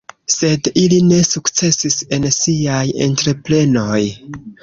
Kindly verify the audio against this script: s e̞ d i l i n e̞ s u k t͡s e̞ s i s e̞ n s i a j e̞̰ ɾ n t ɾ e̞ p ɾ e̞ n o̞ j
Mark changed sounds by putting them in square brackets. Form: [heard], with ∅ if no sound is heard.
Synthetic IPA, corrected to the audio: s e̞ d i l i n e̞ s u k t͡s e̞ s i s e̞ n s i a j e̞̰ [∅] n t ɾ e̞ p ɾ e̞ n o̞ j